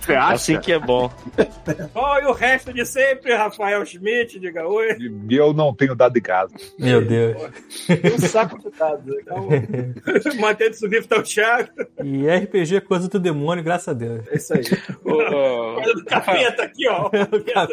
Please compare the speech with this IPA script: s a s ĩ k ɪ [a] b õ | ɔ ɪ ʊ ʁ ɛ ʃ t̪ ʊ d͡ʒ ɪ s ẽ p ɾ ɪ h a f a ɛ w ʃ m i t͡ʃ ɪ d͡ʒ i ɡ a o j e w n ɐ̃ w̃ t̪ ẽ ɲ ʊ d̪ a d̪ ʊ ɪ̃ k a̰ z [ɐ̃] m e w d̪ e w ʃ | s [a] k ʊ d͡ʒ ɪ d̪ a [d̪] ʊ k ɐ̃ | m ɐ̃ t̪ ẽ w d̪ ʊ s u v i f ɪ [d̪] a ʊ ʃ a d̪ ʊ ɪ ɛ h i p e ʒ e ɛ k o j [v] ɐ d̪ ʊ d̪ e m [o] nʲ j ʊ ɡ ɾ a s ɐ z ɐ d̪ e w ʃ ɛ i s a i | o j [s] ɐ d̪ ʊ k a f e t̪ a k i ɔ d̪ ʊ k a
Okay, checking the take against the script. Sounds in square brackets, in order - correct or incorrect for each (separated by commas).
incorrect, incorrect, correct, correct, incorrect, incorrect, incorrect, incorrect